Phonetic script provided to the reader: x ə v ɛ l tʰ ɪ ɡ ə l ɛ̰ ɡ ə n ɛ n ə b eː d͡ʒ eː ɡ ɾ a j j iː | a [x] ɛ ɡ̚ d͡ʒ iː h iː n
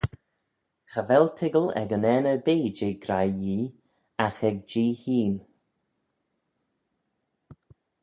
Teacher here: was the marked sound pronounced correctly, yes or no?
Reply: yes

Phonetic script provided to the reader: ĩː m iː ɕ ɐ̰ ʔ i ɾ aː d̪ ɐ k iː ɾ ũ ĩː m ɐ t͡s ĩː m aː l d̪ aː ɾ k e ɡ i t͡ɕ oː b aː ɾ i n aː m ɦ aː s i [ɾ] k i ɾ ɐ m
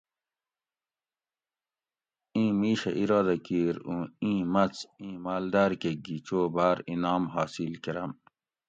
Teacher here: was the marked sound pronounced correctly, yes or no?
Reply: no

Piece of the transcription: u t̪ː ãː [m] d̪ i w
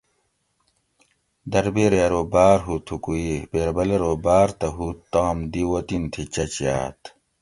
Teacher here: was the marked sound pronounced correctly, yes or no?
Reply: yes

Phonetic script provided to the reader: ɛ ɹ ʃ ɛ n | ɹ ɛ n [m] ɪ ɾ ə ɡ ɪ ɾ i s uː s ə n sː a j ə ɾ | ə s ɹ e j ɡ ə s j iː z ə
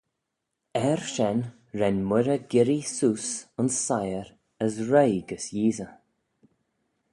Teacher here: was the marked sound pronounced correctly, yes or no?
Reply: yes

